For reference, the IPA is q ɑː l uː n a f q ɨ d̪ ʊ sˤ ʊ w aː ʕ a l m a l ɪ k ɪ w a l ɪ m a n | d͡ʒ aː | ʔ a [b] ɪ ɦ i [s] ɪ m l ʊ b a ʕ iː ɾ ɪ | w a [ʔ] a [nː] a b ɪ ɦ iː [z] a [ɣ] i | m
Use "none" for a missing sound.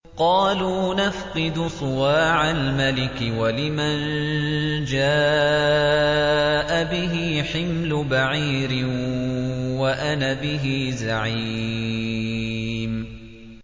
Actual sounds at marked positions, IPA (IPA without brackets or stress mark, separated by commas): b, ħ, ʔ, n, z, ʕ